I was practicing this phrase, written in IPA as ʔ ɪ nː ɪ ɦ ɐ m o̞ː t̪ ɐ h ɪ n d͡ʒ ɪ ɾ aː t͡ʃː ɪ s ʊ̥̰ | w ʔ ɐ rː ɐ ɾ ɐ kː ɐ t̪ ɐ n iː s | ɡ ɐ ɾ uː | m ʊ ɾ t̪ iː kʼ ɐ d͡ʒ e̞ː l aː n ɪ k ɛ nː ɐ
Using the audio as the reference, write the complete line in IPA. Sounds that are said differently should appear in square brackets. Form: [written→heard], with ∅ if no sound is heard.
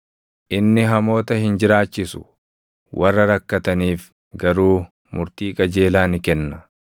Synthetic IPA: ʔ ɪ nː ɪ ɦ ɐ m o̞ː t̪ ɐ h ɪ n d͡ʒ ɪ ɾ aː t͡ʃː ɪ s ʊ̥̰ | w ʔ ɐ rː ɐ ɾ ɐ kː ɐ t̪ ɐ n iː [s→f] | ɡ ɐ ɾ uː | m ʊ ɾ t̪ iː kʼ ɐ d͡ʒ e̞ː l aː n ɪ k ɛ nː ɐ